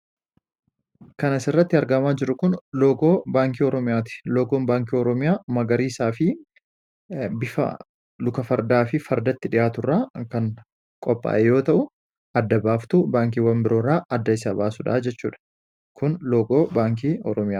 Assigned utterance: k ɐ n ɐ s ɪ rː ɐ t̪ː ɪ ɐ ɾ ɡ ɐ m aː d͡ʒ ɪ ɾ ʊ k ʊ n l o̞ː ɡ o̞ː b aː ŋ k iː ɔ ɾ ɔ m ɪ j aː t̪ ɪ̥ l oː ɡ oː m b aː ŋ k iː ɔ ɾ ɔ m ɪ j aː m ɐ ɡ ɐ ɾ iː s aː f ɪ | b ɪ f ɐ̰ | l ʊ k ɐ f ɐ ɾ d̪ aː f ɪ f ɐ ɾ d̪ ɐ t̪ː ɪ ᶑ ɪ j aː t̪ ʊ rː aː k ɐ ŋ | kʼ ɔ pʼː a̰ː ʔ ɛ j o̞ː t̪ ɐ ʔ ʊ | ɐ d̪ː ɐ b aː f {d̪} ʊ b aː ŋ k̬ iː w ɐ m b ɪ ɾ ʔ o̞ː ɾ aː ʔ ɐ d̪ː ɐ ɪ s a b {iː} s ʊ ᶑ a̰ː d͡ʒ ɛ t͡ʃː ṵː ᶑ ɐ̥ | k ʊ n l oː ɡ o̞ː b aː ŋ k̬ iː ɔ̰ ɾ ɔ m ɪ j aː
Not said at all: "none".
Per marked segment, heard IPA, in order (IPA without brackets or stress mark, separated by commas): t̪, aː